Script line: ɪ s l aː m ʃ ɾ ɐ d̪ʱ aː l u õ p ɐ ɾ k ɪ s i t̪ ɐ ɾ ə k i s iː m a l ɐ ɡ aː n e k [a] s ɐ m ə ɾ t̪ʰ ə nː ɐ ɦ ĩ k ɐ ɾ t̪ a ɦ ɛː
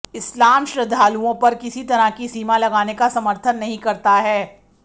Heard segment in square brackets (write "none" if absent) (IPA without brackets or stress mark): a